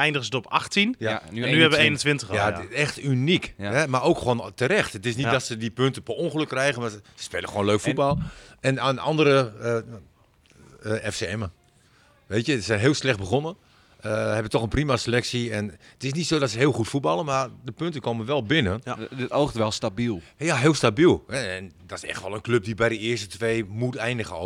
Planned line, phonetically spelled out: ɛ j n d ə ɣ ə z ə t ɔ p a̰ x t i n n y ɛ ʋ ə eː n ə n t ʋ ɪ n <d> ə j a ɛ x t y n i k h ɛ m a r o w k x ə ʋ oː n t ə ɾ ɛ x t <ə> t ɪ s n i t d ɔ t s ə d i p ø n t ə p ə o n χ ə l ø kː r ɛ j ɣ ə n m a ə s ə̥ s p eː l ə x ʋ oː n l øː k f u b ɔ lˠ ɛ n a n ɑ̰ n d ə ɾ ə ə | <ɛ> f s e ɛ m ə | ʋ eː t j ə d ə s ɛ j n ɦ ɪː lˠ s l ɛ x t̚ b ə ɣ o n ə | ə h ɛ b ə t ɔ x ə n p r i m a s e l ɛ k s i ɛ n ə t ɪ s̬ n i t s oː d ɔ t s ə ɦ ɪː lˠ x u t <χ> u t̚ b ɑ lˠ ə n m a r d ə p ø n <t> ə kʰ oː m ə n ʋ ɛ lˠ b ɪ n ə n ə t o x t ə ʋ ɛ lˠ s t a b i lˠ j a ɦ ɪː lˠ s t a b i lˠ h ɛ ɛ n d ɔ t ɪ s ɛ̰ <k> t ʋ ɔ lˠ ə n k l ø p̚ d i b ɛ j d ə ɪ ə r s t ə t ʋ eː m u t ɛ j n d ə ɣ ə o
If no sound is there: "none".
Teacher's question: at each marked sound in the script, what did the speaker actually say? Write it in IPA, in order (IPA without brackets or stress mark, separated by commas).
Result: t, ə, ɛ, f, t, x